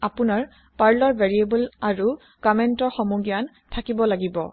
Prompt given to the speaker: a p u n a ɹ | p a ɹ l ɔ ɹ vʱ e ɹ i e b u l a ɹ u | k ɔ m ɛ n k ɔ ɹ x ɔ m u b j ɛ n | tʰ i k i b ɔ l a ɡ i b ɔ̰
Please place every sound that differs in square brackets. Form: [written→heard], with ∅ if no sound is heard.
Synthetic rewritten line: a p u n a ɹ | p a ɹ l ɔ ɹ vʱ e ɹ i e b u l a ɹ u | k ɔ m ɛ n [k→t] ɔ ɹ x ɔ m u [b→ɡ] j [ɛ→a] n | tʰ [i→a] k i b ɔ l a ɡ i b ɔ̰

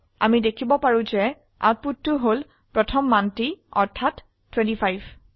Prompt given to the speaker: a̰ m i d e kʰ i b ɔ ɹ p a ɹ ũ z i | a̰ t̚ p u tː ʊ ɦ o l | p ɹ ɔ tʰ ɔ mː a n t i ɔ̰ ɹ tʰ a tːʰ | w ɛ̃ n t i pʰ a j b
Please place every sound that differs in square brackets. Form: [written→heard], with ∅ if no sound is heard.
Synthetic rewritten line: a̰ m i d e kʰ i b ɔ [ɹ→∅] p a ɹ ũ z [i→ɛ] | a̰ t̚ p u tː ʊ ɦ o l | p ɹ ɔ tʰ ɔ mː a n t i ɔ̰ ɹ tʰ a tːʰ | w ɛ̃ n t i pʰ a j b

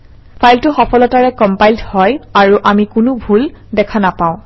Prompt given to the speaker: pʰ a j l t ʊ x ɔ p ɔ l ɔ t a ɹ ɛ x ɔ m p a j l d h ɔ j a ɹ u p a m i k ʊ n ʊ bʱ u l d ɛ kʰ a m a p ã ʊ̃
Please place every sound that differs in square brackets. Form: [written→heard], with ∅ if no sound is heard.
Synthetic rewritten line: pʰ a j l t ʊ x ɔ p ɔ l ɔ t a ɹ ɛ [x→k] ɔ m p a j l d h ɔ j a ɹ u [p→ʔ] a m i k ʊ n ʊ bʱ u l d ɛ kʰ a [m→n] a p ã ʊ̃

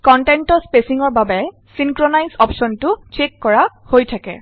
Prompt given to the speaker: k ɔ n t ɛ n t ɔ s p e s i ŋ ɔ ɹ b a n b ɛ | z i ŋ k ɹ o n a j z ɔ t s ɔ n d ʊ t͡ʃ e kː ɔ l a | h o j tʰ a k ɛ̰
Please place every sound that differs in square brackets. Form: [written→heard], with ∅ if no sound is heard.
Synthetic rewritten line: k ɔ n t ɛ n t ɔ s p e s i ŋ ɔ ɹ b a [n→∅] b ɛ | [z→s] i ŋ k ɹ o n a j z ɔ [t→p] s ɔ n [d→t] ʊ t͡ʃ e kː ɔ [l→ɹ] a | h o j tʰ a k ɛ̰

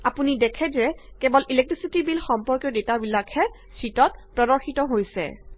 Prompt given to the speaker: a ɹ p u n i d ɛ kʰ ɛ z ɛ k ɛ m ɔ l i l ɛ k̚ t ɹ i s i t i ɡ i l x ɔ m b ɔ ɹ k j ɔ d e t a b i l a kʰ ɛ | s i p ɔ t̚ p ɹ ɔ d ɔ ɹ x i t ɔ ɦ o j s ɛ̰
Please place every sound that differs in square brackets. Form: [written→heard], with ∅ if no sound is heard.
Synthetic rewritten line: a [ɹ→∅] p u n i d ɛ kʰ ɛ z ɛ k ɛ [m→b] ɔ l i l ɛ k̚ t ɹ i s i t i [ɡ→b] i l x ɔ m [b→p] ɔ ɹ k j ɔ d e t a b i l a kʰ ɛ | s i [p→t] ɔ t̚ p ɹ ɔ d ɔ ɹ x i t ɔ ɦ o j s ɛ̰

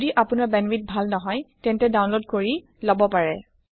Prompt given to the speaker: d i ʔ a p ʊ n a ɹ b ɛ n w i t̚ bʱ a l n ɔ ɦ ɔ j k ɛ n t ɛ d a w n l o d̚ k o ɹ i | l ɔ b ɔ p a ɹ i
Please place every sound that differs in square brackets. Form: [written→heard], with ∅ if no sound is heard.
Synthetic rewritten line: d i ʔ a p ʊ n a ɹ b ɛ n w i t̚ bʱ a l n ɔ ɦ ɔ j [k→t] ɛ n t ɛ d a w n l o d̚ k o ɹ i | l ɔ b ɔ p a ɹ [i→ɛ]

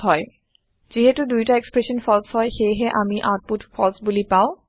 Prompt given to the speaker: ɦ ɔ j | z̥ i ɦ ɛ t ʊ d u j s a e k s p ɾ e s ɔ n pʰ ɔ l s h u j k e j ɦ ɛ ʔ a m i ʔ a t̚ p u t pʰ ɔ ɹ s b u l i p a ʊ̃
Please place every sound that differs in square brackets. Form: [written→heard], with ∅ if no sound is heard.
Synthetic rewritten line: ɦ ɔ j | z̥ i ɦ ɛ t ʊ d u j [s→t] a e k s p [ɾ→ɹ] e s ɔ n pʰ ɔ l s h [u→ɔ] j [k→x] e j ɦ ɛ ʔ a m i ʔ a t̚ p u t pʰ ɔ [ɹ→l] s b u l i p a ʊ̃

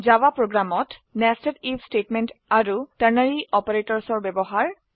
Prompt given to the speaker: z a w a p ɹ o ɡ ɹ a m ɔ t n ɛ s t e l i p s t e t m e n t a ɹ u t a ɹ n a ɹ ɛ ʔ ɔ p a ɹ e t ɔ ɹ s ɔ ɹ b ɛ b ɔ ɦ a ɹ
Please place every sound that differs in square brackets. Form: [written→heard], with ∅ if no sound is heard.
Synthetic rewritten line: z a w a p ɹ o ɡ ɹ a m ɔ t n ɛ s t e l i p s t e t m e n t a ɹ u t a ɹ n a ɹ [ɛ→i] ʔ ɔ p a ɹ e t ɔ ɹ s ɔ ɹ b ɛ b ɔ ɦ a ɹ

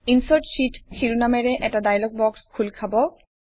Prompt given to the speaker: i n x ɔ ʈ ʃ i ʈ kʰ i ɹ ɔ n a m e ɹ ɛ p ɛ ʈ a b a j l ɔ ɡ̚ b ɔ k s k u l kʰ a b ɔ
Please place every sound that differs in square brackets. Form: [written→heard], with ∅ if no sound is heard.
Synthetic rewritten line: i n [x→s] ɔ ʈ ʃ i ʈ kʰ i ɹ [ɔ→u] n a m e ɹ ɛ [p→ʔ] ɛ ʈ a [b→d] a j l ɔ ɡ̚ b ɔ k s [k→kʰ] u l kʰ a b ɔ

